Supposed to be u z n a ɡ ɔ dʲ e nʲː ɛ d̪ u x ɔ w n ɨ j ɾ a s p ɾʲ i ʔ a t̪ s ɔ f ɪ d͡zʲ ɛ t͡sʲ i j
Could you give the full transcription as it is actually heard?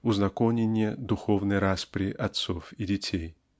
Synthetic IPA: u z n a k ɔ nʲ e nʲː ɛ d̪ u x ɔ w n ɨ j ɾ a s p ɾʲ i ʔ a t̪ s ɔ f i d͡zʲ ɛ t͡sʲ e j